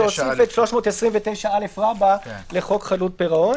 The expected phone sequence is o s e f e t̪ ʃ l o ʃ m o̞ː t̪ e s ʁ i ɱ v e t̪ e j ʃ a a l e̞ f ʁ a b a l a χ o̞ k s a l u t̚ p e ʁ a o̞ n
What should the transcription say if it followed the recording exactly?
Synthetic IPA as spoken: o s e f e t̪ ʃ l o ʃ m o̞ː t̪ e s ʁ i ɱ v e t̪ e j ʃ a a l e̞ f ʁ a b a l e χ o̞ k χ a l u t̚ p e ʁ a o̞ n